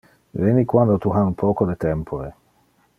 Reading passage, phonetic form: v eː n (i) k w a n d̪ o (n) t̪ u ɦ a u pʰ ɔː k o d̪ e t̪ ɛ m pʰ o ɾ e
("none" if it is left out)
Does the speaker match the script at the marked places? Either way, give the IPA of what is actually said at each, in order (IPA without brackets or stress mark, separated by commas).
i, none